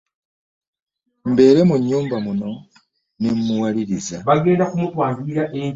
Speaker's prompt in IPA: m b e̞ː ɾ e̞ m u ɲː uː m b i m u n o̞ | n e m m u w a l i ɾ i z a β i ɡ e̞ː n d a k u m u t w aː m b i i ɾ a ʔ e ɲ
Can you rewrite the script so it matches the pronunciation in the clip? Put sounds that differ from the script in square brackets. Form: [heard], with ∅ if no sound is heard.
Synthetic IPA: m b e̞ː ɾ e̞ m u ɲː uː m b [a] m u n o̞ | n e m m u w a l i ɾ i z a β [a] ɡ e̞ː n d a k u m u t w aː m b i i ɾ a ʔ e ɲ

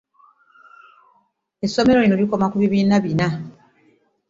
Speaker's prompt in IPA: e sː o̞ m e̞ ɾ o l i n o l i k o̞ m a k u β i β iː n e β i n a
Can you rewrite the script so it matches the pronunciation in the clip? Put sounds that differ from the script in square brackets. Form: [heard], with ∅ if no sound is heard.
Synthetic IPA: e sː o̞ m e̞ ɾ o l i n o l i k o̞ m a k u β i β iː n [a] β i n a

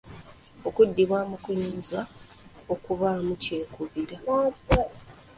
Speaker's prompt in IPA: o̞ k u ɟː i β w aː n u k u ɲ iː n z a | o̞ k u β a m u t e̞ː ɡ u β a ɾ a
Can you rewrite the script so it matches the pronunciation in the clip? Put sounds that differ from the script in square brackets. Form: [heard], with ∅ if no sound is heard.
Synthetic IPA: o̞ k u [dː] i β w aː [m] u k u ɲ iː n z a | o̞ k u β a m u [c] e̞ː [k] u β [i] ɾ a

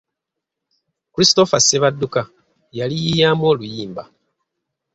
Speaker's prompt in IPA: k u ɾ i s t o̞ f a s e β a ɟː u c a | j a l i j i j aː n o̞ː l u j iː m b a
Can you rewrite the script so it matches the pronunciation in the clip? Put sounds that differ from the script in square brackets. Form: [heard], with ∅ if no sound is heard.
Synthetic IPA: k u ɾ i s t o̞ f a s e β a [dː] u [k] a | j a l i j i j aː [m] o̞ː l u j iː m b a

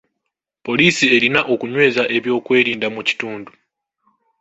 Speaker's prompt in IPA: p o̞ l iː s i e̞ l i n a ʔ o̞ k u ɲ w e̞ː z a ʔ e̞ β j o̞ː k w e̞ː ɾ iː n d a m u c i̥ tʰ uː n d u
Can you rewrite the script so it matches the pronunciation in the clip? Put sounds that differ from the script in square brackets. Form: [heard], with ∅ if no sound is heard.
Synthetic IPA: p o̞ l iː s i e̞ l i n a ʔ o̞ k u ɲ w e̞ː z a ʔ e̞ β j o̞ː k w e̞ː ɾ iː n d a m u c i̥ [t] uː n d u

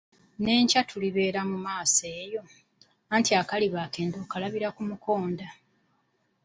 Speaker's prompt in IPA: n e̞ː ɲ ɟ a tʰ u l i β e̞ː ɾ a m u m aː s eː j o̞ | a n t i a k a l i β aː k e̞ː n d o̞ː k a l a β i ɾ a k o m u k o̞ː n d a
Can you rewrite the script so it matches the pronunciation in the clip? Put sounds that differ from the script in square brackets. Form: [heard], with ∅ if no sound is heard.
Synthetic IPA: n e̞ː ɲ [c] a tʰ u l i β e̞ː ɾ a m u m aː s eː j o̞ | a n t i a k a l i β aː k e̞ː n d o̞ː k a l a β i ɾ a k [u] m u k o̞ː n d a

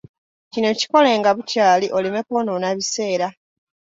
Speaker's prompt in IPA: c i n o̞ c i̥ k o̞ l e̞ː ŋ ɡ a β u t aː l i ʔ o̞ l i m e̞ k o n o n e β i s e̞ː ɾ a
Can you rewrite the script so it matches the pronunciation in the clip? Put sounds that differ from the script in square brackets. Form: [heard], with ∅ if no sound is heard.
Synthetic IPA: c i n o̞ c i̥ k o̞ l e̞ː ŋ ɡ a β u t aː l i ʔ o̞ l i m e̞ k o n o n [a] β i s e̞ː ɾ a

